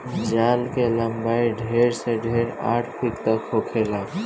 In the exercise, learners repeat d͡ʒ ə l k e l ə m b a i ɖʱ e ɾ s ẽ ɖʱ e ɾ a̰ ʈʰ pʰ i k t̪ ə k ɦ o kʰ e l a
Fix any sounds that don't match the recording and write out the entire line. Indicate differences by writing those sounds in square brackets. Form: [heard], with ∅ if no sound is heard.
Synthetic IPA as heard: d͡ʒ [a] l k e l ə m b a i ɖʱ e ɾ s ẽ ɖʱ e ɾ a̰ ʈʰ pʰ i k t̪ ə k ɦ o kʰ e l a